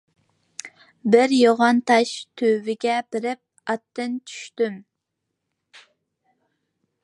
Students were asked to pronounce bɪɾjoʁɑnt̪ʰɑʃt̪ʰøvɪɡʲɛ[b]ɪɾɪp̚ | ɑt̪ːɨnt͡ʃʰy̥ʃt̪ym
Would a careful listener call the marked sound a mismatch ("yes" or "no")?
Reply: no